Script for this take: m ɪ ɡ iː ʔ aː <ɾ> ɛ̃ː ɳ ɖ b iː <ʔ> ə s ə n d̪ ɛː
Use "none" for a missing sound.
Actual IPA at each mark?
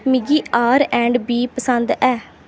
ɾ, p

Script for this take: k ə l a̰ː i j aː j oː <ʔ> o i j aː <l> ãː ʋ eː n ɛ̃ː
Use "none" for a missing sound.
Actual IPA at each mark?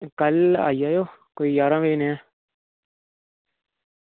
k, ɾ

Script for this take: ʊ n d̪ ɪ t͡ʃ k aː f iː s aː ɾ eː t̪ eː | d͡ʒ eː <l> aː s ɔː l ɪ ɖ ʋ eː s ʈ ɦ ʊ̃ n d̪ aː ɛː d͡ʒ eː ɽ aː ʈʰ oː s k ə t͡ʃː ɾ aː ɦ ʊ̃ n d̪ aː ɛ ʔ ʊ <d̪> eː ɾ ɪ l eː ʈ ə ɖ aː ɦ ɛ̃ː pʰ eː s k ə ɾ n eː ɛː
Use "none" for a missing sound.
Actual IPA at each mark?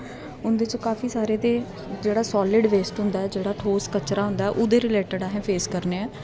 ɽ, d̪

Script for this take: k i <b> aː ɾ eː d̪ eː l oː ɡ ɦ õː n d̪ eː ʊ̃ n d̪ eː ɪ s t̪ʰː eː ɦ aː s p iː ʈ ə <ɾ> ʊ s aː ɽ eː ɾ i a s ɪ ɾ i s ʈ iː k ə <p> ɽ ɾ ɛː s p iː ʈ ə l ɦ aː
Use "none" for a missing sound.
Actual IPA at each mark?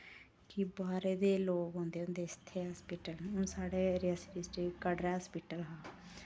b, l, none

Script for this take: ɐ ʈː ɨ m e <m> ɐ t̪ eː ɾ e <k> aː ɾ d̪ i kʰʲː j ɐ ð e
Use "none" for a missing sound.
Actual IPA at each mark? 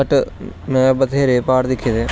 b, p

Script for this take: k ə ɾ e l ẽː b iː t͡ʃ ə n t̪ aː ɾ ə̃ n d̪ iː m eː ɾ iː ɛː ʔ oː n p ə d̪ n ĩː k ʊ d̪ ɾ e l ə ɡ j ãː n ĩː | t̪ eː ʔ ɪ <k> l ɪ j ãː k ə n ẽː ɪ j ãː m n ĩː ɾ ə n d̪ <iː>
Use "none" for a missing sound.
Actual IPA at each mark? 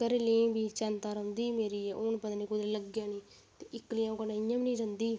k, iː

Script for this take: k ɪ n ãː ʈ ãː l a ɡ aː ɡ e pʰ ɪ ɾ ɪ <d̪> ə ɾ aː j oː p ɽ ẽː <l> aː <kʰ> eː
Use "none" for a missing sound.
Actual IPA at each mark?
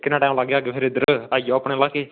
d̪, l, k

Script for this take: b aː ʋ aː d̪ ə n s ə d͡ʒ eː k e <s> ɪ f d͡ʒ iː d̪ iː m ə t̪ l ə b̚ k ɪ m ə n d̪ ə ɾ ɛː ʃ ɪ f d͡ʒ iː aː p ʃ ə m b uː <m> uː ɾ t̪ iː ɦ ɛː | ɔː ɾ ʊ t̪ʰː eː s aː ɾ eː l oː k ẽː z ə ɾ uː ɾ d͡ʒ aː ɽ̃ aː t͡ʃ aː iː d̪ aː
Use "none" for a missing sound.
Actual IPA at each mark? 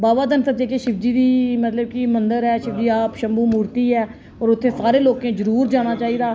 ʃ, m

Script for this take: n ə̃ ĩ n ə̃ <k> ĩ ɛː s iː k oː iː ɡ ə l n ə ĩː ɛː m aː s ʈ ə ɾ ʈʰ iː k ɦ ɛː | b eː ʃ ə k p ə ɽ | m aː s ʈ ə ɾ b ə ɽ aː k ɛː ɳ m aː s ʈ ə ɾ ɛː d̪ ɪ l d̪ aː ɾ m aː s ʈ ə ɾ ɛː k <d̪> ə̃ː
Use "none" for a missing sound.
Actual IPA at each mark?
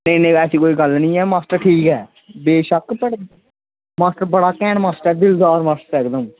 none, d̪

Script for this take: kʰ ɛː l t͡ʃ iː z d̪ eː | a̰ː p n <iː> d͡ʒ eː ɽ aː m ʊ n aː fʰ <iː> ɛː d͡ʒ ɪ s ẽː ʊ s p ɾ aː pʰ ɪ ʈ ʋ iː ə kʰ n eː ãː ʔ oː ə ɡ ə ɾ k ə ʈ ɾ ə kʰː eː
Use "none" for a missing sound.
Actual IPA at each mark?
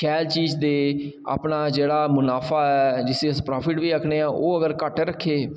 aː, aː

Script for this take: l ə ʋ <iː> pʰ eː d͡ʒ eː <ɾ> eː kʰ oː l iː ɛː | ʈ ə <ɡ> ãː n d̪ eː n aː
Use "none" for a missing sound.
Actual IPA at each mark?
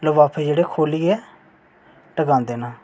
aː, ɽ, ɡ

